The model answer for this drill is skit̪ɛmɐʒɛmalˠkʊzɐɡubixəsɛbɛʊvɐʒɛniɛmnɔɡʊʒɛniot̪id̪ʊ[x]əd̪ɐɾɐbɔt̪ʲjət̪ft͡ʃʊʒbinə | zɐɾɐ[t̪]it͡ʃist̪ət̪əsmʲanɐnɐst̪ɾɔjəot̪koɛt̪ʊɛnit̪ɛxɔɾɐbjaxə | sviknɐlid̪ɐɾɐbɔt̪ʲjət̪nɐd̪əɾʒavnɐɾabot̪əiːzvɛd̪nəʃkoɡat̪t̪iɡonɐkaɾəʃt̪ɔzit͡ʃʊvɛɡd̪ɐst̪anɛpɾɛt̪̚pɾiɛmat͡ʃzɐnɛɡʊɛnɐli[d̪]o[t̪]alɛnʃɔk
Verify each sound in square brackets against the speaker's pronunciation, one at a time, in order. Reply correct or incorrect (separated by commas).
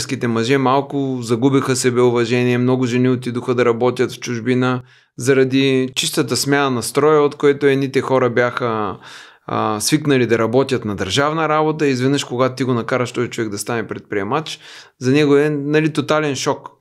correct, incorrect, incorrect, correct